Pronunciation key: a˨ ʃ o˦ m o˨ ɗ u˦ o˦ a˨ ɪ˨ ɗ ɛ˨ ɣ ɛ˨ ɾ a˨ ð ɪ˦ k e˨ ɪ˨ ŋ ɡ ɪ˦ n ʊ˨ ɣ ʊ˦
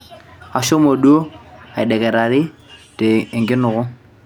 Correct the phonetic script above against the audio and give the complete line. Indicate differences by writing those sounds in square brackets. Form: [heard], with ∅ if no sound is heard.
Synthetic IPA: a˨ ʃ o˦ m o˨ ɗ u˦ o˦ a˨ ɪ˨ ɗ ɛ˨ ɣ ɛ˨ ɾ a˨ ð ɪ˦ [t] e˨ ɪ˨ ŋ ɡ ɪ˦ n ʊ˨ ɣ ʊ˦